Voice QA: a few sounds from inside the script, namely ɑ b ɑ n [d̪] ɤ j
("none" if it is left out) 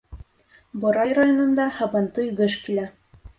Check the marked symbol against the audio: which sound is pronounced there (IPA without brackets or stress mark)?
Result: t̪